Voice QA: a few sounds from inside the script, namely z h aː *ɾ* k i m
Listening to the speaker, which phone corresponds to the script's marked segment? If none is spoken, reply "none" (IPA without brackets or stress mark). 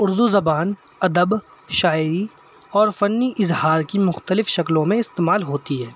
ɾ